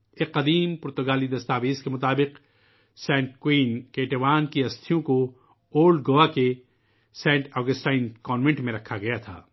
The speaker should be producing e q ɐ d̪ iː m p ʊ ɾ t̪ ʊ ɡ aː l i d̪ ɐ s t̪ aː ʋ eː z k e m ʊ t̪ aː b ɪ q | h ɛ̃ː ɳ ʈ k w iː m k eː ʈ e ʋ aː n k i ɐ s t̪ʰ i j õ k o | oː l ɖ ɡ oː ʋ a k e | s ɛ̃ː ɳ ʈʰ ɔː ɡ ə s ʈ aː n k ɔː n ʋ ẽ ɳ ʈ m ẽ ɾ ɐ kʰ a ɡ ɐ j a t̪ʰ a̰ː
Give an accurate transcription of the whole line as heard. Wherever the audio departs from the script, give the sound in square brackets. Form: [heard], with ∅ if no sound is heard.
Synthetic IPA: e q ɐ d̪ iː m p ʊ ɾ t̪ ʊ ɡ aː l i d̪ ɐ s t̪ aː ʋ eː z k e m ʊ t̪ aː b ɪ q | [s] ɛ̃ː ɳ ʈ k w iː [n] k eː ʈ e ʋ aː n k i ɐ s t̪ʰ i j õ k o | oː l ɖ ɡ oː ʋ a k e | s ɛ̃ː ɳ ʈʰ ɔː ɡ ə s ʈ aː n k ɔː n ʋ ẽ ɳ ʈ m ẽ ɾ ɐ kʰ a ɡ ɐ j a t̪ʰ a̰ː

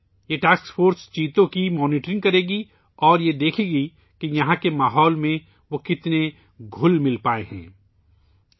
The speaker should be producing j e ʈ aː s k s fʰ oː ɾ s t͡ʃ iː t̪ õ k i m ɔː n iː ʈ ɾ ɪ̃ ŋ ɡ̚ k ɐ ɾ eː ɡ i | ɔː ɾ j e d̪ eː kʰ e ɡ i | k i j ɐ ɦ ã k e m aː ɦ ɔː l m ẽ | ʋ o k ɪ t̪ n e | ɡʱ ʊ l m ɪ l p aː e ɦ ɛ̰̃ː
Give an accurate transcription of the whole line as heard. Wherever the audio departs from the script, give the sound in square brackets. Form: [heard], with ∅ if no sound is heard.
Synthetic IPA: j e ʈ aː s k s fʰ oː ɾ s t͡ʃ iː t̪ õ k i m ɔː n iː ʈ ɾ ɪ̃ ŋ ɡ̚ k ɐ ɾ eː ɡ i | ɔː ɾ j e d̪ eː kʰ e ɡ i | k i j ɐ ɦ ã k e m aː ɦ ɔː l m ẽ | ʋ o k ɪ t̪ n e | ɡʱ ʊ l m ɪ l p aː e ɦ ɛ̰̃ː

